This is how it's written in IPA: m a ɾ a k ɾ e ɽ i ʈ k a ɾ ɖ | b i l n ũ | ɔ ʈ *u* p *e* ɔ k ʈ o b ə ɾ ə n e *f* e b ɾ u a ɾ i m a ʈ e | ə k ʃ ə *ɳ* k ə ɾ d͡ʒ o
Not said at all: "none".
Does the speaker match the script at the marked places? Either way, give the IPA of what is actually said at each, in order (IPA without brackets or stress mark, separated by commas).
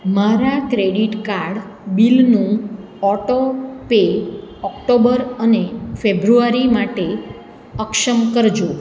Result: o, e, f, m